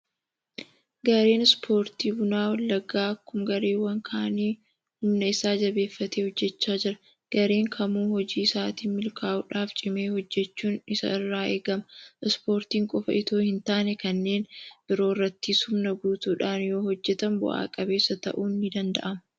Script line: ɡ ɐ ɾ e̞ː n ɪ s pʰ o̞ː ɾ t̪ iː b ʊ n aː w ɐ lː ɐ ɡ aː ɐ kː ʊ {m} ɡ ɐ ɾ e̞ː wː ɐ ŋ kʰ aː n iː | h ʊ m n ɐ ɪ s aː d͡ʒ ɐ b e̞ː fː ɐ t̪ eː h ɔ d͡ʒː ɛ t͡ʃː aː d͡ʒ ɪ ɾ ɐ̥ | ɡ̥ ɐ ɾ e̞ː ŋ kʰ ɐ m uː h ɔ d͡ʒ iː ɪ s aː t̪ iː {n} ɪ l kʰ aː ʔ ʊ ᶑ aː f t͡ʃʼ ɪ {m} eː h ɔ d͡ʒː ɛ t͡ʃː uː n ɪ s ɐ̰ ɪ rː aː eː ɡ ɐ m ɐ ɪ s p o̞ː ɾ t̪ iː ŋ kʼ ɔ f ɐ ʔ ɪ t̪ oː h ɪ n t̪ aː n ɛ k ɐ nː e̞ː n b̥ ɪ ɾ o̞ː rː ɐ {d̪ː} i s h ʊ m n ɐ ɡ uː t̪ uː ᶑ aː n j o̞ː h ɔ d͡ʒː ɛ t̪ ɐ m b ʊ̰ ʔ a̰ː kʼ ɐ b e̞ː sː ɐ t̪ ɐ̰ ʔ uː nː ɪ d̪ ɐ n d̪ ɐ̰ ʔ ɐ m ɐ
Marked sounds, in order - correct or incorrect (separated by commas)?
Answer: correct, incorrect, correct, incorrect